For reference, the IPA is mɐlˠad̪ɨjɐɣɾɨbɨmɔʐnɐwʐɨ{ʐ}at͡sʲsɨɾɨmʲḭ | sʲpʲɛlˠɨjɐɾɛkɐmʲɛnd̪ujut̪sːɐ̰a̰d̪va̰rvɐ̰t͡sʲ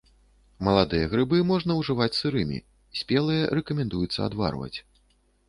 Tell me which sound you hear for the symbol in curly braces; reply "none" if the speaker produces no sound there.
v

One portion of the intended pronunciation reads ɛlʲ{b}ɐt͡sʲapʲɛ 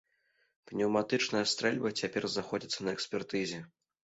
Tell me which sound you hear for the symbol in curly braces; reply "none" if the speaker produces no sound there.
b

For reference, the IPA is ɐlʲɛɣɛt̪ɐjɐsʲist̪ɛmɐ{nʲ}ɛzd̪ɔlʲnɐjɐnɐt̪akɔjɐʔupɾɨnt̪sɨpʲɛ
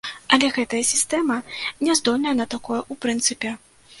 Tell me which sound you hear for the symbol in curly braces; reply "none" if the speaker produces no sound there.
nʲ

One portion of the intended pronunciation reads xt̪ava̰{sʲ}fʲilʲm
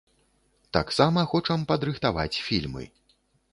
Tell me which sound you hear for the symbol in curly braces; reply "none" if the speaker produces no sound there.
t͡sʲ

